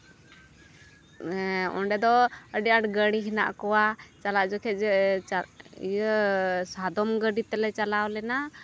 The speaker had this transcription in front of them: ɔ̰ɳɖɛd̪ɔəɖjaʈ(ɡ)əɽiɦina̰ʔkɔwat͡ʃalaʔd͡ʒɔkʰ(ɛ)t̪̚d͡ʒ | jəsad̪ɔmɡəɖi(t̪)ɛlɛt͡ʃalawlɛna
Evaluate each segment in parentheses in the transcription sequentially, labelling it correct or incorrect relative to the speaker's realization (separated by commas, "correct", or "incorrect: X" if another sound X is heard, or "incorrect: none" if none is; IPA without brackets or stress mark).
correct, correct, correct